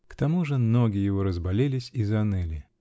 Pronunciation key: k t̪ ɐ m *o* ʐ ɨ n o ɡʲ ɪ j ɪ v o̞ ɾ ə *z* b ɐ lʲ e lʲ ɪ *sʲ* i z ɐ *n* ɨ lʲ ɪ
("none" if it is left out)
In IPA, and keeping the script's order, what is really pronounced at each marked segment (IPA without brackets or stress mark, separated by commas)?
u, z, sʲ, n